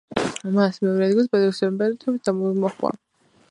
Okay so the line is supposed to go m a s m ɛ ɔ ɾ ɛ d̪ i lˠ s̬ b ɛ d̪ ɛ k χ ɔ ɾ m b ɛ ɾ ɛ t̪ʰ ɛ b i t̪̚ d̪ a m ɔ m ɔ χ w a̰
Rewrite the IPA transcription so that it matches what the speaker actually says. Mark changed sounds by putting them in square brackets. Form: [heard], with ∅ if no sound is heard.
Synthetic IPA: m a s m ɛ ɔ ɾ ɛ d̪ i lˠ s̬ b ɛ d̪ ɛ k [s] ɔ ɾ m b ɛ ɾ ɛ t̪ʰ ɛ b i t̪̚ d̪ a m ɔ m ɔ χ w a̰